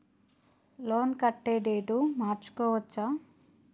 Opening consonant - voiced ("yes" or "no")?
yes